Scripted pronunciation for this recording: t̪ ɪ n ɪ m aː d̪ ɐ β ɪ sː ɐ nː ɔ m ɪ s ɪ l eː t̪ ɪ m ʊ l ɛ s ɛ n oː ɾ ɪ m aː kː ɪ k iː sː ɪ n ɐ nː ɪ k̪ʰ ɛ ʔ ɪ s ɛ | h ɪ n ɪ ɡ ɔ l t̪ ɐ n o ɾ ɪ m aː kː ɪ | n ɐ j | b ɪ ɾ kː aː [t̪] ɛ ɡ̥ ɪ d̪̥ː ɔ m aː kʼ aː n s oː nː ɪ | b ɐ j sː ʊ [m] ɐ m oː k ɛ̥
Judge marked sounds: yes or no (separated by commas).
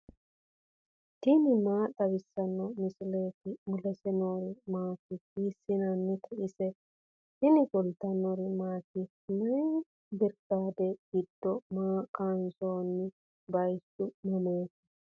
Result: no, yes